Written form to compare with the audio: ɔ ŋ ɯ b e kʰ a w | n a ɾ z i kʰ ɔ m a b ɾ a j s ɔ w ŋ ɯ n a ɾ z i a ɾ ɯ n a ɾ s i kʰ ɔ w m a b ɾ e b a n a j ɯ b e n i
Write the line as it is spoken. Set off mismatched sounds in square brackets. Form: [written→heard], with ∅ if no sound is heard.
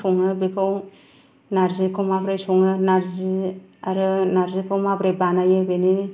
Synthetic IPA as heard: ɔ ŋ ɯ b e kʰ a w | n a ɾ z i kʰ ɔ m a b ɾ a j s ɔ [w→∅] ŋ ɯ n a ɾ z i a ɾ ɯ n a ɾ [s→z] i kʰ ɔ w m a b ɾ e b a n a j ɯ b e n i